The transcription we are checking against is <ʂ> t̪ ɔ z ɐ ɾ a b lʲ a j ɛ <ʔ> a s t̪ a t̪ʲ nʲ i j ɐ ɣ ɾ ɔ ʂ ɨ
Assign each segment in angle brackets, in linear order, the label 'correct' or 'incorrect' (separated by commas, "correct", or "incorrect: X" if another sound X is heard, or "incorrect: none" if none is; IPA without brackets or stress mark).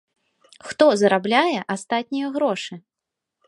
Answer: incorrect: x, correct